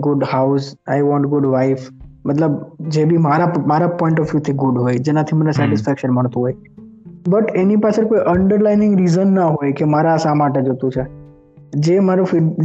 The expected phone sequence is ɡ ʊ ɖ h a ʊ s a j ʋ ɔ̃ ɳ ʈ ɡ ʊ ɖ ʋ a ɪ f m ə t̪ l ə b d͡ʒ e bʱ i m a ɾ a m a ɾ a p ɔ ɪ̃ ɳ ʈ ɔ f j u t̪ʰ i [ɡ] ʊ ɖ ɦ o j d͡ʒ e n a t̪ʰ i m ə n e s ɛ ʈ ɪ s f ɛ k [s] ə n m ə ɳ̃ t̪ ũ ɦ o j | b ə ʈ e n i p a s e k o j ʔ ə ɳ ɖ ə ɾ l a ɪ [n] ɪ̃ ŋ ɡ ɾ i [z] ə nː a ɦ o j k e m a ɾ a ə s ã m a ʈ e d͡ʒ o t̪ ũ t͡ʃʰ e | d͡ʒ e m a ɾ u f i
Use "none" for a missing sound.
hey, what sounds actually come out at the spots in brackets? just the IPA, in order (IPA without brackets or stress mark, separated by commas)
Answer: ɡ, ʃ, n, z